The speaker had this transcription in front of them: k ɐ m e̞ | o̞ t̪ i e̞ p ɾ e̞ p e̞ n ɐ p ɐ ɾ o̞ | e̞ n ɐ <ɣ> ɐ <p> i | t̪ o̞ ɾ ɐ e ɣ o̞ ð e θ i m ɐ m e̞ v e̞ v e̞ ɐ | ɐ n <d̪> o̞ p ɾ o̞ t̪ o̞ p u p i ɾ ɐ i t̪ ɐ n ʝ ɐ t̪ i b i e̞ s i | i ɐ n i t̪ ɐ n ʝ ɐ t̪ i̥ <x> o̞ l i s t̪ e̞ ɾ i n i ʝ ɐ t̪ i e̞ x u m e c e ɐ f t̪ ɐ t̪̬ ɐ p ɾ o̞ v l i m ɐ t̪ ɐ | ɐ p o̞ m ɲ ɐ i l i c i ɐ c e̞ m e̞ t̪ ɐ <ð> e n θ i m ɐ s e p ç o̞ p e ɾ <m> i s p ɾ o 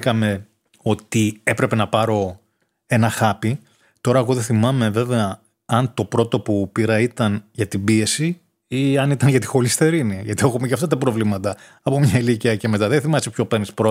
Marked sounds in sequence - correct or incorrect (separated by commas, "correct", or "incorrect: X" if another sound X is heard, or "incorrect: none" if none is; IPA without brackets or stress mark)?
incorrect: x, correct, incorrect: t̪, correct, correct, incorrect: n